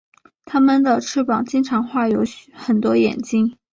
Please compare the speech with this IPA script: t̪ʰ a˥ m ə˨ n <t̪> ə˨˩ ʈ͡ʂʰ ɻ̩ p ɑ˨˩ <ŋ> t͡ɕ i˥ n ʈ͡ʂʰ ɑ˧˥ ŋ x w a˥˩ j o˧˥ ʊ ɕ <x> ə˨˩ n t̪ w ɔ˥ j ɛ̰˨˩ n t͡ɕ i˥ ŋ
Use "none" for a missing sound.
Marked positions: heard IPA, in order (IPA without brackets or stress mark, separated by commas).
d̪, ŋ, x